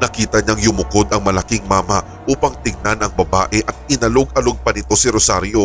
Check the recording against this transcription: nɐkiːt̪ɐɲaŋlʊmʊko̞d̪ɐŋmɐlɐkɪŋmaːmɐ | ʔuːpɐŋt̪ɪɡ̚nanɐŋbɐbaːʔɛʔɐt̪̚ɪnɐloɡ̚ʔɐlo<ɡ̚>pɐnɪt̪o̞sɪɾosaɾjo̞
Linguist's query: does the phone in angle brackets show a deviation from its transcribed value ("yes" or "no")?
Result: no